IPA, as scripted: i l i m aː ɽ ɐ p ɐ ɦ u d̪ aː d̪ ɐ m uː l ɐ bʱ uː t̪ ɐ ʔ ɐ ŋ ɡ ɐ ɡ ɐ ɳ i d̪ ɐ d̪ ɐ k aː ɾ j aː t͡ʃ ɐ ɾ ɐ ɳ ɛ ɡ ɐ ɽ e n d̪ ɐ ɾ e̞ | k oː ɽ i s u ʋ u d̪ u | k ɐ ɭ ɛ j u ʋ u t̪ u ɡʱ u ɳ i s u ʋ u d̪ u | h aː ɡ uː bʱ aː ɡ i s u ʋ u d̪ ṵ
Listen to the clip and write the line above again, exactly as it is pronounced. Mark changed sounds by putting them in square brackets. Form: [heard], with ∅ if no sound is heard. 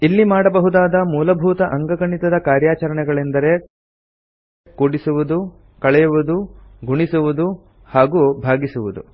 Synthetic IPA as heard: i [lː] i m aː ɽ ɐ [b] ɐ ɦ u d̪ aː d̪ ɐ m uː l ɐ bʱ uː t̪ ɐ ʔ ɐ ŋ ɡ ɐ ɡ ɐ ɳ i [t̪] ɐ d̪ ɐ k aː ɾ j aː t͡ʃ ɐ ɾ ɐ ɳ ɛ ɡ ɐ [ɭ] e n d̪ ɐ ɾ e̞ | k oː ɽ i s u ʋ u d̪ u | k ɐ ɭ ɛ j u ʋ u [d̪] u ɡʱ u ɳ i s u ʋ u d̪ u | h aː ɡ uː bʱ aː ɡ i s u ʋ u d̪ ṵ